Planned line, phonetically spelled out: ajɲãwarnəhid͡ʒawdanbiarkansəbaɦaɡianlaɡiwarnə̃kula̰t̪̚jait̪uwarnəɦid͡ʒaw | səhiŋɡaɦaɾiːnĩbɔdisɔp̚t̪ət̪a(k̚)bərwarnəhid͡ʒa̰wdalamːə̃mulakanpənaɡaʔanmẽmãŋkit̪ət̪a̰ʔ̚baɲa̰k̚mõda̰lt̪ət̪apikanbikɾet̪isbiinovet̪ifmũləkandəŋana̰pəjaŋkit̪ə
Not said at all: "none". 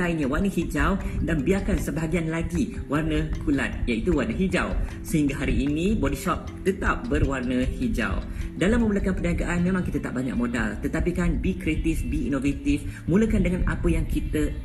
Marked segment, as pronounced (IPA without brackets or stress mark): p̚